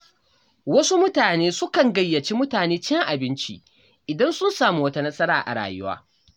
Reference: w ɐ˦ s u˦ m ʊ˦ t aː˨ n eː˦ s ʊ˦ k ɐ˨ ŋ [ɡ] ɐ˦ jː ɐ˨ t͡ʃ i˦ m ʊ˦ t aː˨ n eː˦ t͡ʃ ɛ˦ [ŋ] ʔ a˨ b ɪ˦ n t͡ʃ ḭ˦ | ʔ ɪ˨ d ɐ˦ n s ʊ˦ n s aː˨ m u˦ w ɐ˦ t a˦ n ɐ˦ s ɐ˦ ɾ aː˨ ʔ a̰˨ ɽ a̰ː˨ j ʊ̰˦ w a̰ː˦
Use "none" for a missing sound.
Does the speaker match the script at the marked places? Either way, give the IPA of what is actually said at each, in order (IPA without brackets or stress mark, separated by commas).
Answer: ɡ, ŋ